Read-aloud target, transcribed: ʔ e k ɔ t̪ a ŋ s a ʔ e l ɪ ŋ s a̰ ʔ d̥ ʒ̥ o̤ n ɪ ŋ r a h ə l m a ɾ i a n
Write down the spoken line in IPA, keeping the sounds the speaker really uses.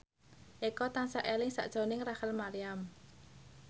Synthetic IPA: ʔ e k ɔ t̪ a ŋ s a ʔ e l ɪ ŋ s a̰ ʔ d̥ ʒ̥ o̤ n ɪ ŋ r a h ə l m a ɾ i a m